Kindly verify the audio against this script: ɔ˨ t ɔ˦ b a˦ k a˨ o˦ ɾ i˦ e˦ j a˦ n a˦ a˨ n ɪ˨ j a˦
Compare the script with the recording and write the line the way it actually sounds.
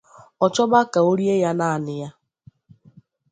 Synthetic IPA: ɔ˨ t͡ʃ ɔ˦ b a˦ k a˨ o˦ ɾ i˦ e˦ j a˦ n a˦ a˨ n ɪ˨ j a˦